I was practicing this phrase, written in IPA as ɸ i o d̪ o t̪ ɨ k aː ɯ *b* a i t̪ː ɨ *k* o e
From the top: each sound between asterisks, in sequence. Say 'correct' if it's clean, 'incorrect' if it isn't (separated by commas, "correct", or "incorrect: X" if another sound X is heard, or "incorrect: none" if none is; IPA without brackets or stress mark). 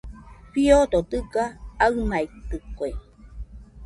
incorrect: m, correct